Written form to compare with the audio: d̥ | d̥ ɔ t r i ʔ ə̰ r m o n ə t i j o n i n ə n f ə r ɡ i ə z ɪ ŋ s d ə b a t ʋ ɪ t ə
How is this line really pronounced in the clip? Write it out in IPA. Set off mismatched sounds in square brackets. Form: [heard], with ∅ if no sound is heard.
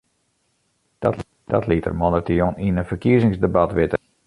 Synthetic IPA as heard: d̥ | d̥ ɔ t [l] i [t] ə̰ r m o n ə t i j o n i n ə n f ə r [k] i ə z ɪ ŋ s d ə b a t ʋ ɪ t ə